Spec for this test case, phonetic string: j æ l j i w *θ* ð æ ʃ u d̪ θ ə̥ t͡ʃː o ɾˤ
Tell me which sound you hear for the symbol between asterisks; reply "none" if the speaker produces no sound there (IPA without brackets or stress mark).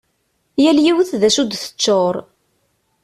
θ